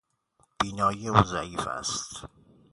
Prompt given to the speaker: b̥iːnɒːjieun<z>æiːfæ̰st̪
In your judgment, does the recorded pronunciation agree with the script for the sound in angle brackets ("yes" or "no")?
yes